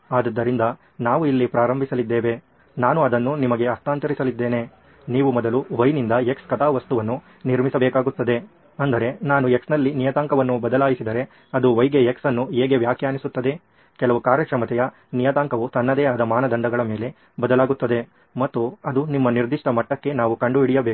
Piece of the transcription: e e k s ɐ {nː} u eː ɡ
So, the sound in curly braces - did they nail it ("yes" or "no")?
yes